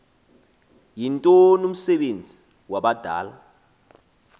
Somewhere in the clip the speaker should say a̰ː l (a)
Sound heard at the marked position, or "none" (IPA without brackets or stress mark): a